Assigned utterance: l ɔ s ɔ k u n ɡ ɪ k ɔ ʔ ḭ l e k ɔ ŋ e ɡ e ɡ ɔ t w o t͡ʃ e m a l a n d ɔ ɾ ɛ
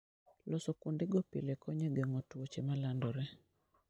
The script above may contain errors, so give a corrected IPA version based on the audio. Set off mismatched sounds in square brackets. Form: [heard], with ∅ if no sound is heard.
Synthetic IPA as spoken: l ɔ s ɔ k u n [d] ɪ [ɡ] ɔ [p] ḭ l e k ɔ [ɲ] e ɡ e [ŋ] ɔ t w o t͡ʃ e m a l a n d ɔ ɾ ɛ